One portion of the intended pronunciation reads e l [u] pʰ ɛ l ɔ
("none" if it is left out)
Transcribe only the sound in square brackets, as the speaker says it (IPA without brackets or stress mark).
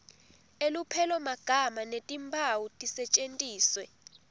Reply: u